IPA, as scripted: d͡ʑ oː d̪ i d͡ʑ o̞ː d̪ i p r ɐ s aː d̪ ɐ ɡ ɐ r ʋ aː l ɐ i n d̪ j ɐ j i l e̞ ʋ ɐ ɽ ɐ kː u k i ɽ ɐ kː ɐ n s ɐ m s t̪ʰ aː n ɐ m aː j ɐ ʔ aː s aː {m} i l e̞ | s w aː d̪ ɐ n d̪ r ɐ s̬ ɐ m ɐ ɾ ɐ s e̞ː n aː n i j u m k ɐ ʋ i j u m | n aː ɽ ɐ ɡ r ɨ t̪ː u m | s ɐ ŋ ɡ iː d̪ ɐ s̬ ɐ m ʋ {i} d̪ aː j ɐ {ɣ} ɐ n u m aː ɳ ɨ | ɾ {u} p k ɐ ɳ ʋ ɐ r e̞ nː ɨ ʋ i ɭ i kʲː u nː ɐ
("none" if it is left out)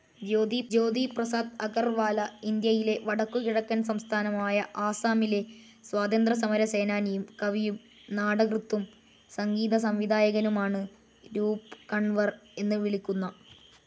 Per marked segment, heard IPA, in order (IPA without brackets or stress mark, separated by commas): m, i, ɣ, uː